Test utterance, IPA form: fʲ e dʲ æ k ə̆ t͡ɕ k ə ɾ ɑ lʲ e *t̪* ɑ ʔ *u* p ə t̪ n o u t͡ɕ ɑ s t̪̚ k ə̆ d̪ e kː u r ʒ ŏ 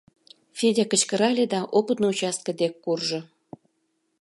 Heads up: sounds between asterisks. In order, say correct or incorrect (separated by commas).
incorrect, incorrect